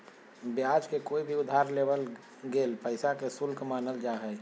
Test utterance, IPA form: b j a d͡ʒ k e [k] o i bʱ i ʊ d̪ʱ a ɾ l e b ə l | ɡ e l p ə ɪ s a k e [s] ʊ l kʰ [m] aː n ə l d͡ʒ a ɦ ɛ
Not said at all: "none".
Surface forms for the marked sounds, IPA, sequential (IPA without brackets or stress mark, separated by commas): k, s, m